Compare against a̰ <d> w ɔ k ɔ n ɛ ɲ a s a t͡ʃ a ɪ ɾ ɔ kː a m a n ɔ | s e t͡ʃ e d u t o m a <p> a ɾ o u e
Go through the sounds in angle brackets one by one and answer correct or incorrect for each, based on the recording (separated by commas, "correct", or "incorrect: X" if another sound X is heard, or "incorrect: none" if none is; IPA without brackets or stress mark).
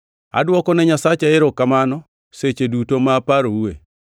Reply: correct, correct